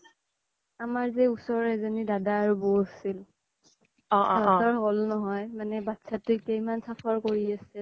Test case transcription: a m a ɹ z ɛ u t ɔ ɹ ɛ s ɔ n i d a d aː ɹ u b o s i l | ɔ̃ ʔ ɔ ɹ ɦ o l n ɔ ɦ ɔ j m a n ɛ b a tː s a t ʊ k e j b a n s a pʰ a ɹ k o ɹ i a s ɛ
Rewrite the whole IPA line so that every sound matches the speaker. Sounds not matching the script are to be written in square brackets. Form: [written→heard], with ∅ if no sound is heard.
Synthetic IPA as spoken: a m a ɹ z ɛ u [t→s] ɔ ɹ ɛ [s→z] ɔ n i d a d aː ɹ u b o s i l | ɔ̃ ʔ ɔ ɹ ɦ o l n ɔ ɦ ɔ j m a n ɛ b a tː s a t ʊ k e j [b→m] a n s a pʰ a ɹ k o ɹ i a s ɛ